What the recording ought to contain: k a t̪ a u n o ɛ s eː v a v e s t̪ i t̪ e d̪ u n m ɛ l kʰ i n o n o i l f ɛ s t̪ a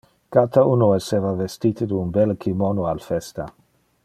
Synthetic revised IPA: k a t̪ a u n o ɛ s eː v a v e s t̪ i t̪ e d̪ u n b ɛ l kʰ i m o n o a l f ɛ s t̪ a